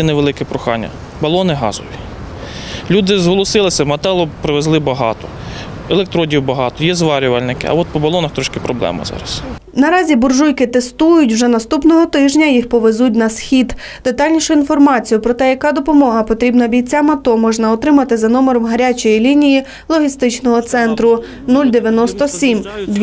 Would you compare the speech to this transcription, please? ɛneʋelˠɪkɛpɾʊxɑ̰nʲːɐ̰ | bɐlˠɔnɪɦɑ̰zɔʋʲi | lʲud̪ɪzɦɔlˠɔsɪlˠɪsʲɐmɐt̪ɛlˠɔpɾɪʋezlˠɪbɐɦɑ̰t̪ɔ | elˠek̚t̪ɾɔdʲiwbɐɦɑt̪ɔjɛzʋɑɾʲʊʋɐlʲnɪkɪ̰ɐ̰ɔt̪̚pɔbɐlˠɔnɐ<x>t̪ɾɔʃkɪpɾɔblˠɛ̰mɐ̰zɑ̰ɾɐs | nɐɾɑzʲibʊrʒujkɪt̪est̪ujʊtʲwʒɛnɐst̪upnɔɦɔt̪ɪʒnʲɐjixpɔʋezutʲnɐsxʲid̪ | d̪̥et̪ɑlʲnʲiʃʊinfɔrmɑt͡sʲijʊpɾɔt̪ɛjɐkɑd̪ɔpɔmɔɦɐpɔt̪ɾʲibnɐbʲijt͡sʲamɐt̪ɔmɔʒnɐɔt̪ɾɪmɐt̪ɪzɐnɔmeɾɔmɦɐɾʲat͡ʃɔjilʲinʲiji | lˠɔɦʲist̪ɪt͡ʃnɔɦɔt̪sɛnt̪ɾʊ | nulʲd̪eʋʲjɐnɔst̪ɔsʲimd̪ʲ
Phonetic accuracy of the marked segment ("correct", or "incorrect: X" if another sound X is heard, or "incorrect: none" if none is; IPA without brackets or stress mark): correct